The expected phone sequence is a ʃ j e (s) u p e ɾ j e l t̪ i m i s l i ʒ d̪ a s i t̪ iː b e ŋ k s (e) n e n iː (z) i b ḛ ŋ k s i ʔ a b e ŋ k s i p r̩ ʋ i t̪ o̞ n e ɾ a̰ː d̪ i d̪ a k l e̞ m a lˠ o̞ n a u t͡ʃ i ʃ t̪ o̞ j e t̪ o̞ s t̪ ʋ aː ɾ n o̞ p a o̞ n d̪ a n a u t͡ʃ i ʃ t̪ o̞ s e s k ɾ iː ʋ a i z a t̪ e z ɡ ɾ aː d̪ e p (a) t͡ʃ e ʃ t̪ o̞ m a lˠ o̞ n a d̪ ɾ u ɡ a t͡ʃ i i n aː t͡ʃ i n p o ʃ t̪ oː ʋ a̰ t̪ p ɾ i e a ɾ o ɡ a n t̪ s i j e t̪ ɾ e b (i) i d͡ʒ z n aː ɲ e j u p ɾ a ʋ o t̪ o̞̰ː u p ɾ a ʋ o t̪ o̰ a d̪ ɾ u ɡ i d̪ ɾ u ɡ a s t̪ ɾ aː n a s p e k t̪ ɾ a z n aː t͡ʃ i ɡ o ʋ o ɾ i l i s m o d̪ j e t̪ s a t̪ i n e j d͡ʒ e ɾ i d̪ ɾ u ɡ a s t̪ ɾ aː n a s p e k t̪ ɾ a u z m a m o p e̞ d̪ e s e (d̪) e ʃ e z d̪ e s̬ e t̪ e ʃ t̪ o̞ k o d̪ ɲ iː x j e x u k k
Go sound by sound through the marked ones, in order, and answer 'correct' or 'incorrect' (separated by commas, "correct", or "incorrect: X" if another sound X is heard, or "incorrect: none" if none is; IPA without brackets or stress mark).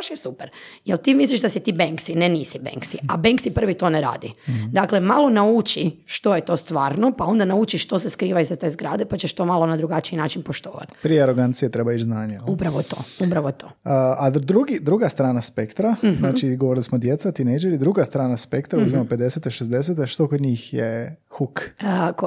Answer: correct, incorrect: i, incorrect: s, correct, incorrect: a, incorrect: t̪